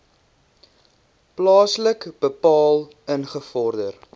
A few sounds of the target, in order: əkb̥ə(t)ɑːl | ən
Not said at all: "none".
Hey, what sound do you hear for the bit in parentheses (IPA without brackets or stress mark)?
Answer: p